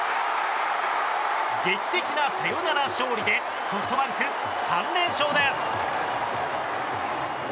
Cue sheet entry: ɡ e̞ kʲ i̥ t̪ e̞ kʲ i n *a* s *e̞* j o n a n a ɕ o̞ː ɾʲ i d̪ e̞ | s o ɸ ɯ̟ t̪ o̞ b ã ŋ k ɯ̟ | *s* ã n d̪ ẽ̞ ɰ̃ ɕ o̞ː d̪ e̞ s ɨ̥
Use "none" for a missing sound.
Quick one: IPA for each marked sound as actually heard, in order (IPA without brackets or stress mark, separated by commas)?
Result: a, e̞, s